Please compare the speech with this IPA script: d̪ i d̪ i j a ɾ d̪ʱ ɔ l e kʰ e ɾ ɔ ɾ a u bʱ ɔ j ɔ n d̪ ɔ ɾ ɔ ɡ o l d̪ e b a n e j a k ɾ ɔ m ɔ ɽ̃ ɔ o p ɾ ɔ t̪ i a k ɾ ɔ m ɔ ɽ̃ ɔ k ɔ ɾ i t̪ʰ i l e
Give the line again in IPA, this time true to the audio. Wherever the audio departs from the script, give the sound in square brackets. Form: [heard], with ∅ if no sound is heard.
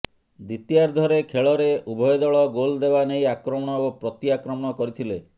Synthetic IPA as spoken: d̪ i [t̪] i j a ɾ d̪ʱ ɔ [ɾ] e kʰ e [ɭ] ɔ ɾ [e] u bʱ ɔ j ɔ [∅] d̪ ɔ [ɭ] ɔ ɡ o l d̪ e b a n e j a k ɾ ɔ m ɔ ɽ̃ ɔ o p ɾ ɔ t̪ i a k ɾ ɔ m ɔ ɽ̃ ɔ k ɔ ɾ i t̪ʰ i l e